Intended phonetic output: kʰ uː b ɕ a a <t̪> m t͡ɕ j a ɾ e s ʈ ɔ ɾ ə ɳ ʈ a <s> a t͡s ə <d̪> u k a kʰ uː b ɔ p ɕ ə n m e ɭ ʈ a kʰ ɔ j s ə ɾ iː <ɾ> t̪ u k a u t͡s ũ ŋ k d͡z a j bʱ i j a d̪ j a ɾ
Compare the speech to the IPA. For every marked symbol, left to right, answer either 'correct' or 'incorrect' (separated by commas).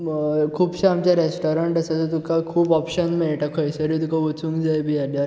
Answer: incorrect, correct, incorrect, incorrect